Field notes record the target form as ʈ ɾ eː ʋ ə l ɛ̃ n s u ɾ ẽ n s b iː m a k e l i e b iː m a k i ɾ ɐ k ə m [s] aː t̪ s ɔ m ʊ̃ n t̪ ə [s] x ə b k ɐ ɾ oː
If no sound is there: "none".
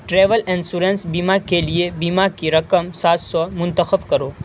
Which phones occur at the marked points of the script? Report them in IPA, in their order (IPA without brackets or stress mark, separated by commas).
s, none